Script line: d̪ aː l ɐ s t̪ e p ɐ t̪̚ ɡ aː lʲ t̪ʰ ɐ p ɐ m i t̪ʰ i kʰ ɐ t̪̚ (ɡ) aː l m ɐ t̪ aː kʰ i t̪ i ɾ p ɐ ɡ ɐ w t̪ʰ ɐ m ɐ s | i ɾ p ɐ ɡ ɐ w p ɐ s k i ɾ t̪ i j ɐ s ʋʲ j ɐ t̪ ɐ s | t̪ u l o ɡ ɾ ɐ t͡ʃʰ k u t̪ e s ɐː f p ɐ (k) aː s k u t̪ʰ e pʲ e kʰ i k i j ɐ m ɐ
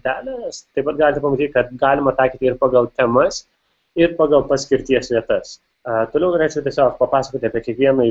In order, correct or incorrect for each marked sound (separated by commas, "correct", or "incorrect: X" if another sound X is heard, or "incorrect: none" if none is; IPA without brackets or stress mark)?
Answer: correct, incorrect: p